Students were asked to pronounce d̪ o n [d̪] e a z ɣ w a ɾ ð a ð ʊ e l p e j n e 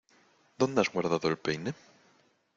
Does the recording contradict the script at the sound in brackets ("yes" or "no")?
no